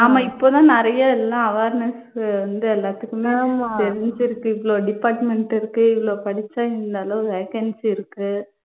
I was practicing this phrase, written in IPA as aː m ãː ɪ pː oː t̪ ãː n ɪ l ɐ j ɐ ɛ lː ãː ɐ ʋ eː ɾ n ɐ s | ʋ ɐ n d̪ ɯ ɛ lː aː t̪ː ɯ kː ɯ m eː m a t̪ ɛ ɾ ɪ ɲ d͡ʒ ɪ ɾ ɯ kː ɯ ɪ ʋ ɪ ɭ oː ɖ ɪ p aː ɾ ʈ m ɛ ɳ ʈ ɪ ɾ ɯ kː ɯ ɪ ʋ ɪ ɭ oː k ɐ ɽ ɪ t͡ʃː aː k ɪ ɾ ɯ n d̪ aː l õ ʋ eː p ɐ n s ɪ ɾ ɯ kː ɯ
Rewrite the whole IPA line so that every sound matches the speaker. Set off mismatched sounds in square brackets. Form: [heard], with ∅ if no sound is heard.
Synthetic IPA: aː m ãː ɪ pː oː t̪ ãː n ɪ [ɾ] ɐ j ɐ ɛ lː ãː ɐ ʋ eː ɾ n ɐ s | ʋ ɐ n d̪ ɯ ɛ lː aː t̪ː ɯ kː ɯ m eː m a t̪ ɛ ɾ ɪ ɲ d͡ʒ ɪ ɾ ɯ kː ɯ ɪ ʋ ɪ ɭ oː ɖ ɪ p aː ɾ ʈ m ɛ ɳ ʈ ɪ ɾ ɯ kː ɯ ɪ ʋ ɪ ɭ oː [p] ɐ ɽ ɪ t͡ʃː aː [∅] ɪ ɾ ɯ n d̪ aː l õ ʋ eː [k] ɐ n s ɪ ɾ ɯ kː ɯ